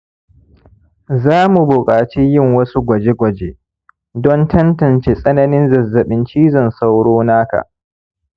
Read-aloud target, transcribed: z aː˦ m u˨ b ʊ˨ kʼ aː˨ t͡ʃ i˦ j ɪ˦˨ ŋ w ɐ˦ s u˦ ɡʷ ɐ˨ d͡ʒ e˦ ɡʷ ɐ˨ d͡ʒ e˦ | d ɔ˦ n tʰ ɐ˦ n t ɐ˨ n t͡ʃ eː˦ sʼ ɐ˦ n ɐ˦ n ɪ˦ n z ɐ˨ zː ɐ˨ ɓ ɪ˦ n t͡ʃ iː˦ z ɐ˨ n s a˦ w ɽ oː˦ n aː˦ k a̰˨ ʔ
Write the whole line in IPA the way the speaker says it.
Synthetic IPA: z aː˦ m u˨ b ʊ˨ kʼ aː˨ t͡ʃ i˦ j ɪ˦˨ ŋ w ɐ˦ s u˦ ɡʷ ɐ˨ d͡ʒ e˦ ɡʷ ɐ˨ d͡ʒ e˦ | d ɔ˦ n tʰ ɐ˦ n t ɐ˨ n t͡ʃ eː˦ sʼ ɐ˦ n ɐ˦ n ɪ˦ n z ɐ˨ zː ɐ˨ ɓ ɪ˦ n t͡ʃ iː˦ z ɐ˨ n s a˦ w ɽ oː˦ n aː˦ k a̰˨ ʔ